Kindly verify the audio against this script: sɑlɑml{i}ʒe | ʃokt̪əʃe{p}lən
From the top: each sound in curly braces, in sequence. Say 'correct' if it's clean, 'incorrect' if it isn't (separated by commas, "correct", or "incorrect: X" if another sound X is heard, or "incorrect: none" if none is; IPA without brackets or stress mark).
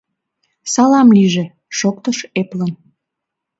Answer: correct, correct